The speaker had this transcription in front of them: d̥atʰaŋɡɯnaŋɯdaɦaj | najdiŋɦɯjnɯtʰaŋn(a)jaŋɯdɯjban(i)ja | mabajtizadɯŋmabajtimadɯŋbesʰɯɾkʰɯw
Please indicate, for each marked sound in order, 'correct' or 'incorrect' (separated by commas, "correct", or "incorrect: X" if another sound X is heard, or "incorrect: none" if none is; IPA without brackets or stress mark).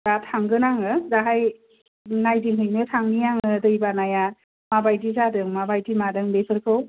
incorrect: i, incorrect: a